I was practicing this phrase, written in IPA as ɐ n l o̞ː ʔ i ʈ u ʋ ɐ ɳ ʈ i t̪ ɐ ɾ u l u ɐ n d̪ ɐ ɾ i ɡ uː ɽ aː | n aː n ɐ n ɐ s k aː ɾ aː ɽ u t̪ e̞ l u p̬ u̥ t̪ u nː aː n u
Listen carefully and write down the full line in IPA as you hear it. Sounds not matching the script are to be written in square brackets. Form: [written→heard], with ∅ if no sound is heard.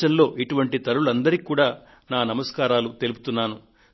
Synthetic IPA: ɐ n l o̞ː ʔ i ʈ u ʋ ɐ ɳ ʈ i t̪ ɐ ɾ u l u ɐ n d̪ ɐ ɾ i [ɡ→k] uː ɽ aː | n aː n ɐ [n→m] ɐ s k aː ɾ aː [ɽ→l] u t̪ e̞ l u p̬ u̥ t̪ u nː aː n u

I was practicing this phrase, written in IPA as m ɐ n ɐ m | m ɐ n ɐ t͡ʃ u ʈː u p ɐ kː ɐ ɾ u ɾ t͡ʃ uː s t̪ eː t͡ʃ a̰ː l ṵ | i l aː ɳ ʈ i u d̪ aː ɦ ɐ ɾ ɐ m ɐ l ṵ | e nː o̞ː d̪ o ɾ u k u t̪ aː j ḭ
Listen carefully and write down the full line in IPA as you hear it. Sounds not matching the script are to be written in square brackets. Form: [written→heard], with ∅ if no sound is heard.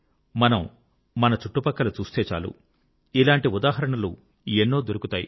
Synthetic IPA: m ɐ n ɐ m | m ɐ n ɐ t͡ʃ u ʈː u p ɐ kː ɐ [ɾ→l] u [ɾ→∅] t͡ʃ uː s t̪ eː t͡ʃ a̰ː l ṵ | i l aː ɳ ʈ i u d̪ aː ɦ ɐ ɾ ɐ [m→ɳ] ɐ l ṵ | e nː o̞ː d̪ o ɾ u k u t̪ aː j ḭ

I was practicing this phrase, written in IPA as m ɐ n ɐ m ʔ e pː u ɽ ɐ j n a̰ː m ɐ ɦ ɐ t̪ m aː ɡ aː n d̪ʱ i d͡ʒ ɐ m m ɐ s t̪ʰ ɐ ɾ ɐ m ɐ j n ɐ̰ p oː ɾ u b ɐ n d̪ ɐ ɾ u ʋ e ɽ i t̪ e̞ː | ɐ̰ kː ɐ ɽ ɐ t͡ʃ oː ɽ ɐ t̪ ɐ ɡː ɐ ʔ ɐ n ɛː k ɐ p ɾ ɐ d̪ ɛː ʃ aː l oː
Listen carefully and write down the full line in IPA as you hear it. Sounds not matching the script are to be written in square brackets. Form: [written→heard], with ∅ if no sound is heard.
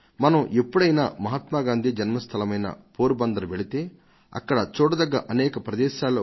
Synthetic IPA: m ɐ n ɐ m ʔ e pː u ɽ ɐ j n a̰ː m ɐ ɦ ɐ t̪ m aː ɡ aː n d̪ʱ i d͡ʒ ɐ [m→n] m ɐ s t̪ʰ ɐ [ɾ→l] ɐ m ɐ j n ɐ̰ p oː ɾ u b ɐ n d̪ ɐ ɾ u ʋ e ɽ i t̪ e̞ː | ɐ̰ kː ɐ ɽ ɐ t͡ʃ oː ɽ ɐ [t̪→d̪] ɐ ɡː ɐ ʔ ɐ n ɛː k ɐ p ɾ ɐ d̪ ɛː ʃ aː l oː

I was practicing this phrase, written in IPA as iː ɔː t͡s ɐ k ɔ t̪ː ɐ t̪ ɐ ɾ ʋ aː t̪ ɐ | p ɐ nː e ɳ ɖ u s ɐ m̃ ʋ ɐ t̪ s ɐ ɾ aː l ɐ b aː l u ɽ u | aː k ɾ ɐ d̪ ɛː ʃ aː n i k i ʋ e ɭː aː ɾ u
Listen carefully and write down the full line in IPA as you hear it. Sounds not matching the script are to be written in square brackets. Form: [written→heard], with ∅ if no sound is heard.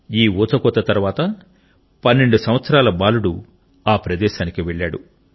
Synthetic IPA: iː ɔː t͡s ɐ k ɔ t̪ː ɐ t̪ ɐ ɾ ʋ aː t̪ ɐ | p ɐ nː e ɳ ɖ u s ɐ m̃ ʋ ɐ t̪ s ɐ ɾ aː l ɐ b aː l u ɽ u | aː [k→p] ɾ ɐ d̪ ɛː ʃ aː n i k i ʋ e ɭː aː [ɾ→ɽ] u

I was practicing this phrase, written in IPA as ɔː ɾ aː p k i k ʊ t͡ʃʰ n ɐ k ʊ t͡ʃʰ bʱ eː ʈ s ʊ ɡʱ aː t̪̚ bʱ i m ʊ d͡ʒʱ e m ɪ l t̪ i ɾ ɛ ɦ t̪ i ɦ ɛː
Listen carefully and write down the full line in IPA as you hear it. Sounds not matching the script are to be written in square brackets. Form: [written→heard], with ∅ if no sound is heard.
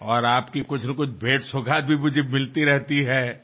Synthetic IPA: ɔː ɾ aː p k i k ʊ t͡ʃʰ n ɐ k ʊ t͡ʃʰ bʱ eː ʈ s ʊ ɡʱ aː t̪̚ bʱ i m ʊ d͡ʒʱ e m ɪ l t̪ i ɾ ɛ ɦ t̪ i ɦ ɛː

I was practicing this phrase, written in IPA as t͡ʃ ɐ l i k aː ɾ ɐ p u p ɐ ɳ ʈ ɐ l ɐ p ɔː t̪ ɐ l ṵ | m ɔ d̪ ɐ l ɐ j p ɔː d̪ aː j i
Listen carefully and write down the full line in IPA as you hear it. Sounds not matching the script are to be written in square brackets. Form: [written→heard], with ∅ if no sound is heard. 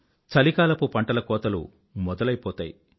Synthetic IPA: t͡ʃ ɐ l i k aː [ɾ→l] ɐ p u p ɐ ɳ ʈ ɐ l ɐ [p→k] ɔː t̪ ɐ l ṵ | m ɔ d̪ ɐ l ɐ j p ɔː [d̪→t̪] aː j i

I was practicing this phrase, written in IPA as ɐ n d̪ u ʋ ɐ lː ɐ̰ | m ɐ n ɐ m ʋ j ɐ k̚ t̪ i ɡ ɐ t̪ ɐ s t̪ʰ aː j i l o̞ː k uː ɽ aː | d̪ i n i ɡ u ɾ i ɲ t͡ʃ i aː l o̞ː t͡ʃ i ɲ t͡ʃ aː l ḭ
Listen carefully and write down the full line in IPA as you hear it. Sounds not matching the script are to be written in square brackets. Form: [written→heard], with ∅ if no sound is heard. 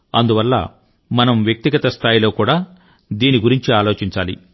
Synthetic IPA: ɐ n d̪ u ʋ ɐ lː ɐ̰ | m ɐ n ɐ m ʋ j ɐ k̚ t̪ i ɡ ɐ t̪ ɐ s t̪ʰ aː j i l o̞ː k uː ɽ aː | d̪ [i→iː] n i ɡ u ɾ i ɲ t͡ʃ i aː l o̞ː t͡ʃ i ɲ t͡ʃ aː l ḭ

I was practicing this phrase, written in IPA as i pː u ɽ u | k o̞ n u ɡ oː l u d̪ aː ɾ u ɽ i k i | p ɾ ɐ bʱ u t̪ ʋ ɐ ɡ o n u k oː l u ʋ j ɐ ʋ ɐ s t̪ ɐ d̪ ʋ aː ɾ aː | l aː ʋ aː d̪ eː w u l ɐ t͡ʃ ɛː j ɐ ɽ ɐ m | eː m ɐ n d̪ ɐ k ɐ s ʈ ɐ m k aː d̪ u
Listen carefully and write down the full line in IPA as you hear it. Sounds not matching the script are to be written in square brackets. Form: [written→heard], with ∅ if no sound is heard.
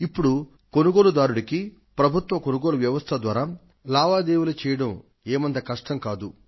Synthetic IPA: i pː u ɽ u | k o̞ n u ɡ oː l u d̪ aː ɾ u ɽ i k i | p ɾ ɐ bʱ u t̪ ʋ ɐ [ɡ→k] o n u [k→ɡ] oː l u ʋ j ɐ ʋ ɐ s [t̪→t̪ʰ] ɐ d̪ ʋ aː ɾ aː | l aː ʋ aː d̪ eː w u l ɐ t͡ʃ ɛː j ɐ ɽ ɐ m | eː m ɐ n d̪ ɐ k ɐ [s→ʂ] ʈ ɐ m k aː d̪ u

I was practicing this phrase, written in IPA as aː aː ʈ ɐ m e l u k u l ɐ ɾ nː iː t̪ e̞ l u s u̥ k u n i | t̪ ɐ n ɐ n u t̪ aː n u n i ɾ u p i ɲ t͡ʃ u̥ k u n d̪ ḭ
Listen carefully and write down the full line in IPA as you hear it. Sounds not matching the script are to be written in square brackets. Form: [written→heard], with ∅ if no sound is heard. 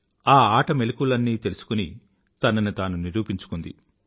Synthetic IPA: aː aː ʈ ɐ m e l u k u l ɐ [ɾ→∅] nː iː t̪ e̞ l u s u̥ k u n i | t̪ ɐ n ɐ n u t̪ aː n u n i ɾ [u→uː] p i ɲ t͡ʃ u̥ k u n d̪ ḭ

